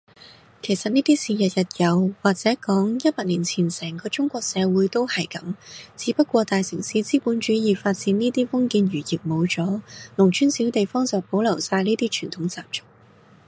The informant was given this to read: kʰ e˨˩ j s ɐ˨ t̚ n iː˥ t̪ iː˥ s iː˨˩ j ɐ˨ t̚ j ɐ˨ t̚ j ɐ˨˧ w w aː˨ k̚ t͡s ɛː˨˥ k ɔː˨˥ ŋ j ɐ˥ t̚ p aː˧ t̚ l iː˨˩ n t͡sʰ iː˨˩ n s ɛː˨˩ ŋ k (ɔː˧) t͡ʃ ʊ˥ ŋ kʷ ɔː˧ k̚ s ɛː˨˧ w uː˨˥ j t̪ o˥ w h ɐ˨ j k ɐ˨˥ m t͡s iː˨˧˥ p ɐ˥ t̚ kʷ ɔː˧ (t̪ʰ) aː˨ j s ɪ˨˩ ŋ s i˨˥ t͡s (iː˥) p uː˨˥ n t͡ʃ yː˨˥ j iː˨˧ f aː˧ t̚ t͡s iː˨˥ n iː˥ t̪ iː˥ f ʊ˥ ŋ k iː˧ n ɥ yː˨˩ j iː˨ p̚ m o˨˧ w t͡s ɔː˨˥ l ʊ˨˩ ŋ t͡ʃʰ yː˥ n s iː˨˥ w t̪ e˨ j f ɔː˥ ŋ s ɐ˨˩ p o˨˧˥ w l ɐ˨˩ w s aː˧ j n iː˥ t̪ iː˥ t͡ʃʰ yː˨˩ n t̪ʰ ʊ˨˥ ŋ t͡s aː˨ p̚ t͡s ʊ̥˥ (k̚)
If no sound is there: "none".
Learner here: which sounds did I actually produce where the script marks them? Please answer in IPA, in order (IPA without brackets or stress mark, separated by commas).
ɔː˧, t̪, iː˥, k̚